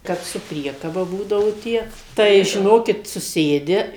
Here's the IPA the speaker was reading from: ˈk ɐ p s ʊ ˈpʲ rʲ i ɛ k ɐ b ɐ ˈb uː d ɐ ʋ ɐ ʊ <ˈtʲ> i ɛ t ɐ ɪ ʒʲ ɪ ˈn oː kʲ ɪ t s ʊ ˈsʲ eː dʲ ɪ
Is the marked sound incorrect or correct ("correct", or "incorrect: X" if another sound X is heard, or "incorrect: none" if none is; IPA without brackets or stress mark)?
correct